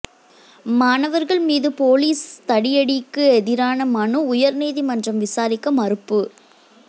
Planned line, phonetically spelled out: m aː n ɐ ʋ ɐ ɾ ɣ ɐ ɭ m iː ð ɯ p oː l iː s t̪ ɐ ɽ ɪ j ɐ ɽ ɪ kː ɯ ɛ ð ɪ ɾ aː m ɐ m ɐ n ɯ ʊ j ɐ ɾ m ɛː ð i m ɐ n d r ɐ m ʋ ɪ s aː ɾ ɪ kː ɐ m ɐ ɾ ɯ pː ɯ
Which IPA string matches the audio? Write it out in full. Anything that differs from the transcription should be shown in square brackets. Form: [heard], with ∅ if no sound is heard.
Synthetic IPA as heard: m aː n ɐ ʋ ɐ ɾ ɣ ɐ ɭ m iː ð ɯ p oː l iː s t̪ ɐ ɽ ɪ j ɐ ɽ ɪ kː ɯ ɛ ð ɪ ɾ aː [n] ɐ m ɐ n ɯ ʊ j ɐ ɾ [n] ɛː ð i m ɐ n d r ɐ m ʋ ɪ s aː ɾ ɪ kː ɐ m ɐ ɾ ɯ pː ɯ